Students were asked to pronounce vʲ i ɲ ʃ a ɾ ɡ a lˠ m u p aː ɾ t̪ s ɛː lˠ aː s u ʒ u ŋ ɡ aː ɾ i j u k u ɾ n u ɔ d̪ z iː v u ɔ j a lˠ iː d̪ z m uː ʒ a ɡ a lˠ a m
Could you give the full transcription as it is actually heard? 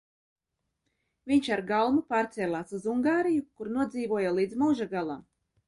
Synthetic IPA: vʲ i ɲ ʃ a ɾ ɡ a lˠ m u p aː ɾ t̪ s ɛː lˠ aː s u z u ŋ ɡ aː ɾ i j u k u ɾ n u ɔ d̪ z iː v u ɔ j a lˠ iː d̪ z m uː ʒ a ɡ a lˠ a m